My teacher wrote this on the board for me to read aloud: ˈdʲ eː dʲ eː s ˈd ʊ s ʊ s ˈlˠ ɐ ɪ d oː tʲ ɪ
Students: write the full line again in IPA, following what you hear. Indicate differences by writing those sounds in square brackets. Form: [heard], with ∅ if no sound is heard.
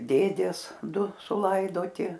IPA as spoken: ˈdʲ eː dʲ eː s ˈd ʊ s ʊ [∅] ˈlˠ ɐ ɪ d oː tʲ ɪ